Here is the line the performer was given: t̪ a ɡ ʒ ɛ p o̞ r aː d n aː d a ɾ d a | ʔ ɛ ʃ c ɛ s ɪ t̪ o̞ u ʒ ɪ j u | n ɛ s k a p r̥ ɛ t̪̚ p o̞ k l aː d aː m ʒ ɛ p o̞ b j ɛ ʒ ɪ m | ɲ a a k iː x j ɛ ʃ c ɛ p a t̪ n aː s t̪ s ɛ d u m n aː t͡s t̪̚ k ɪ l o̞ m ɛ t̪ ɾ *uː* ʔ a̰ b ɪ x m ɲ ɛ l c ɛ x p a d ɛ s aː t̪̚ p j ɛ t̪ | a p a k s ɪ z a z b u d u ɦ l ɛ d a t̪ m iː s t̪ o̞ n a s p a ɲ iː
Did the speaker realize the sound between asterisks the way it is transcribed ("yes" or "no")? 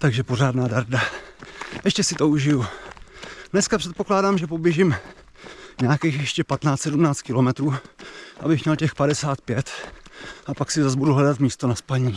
yes